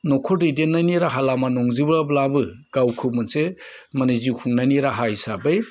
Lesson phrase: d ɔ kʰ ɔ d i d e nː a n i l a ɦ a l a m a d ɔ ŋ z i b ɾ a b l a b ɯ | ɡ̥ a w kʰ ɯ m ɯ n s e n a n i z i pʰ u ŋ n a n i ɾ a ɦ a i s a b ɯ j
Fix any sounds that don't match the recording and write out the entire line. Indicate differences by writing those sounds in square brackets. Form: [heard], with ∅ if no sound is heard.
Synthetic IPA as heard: [n] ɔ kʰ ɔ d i d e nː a n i [ɾ] a ɦ a l a m a [n] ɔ ŋ z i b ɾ a b l a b ɯ | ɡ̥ a w kʰ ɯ m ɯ n s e [m] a n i z i [kʰ] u ŋ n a n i ɾ a ɦ a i s a b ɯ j